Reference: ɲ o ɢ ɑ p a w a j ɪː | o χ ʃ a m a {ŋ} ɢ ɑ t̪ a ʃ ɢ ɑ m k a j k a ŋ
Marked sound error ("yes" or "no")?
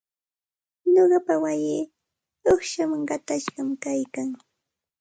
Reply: no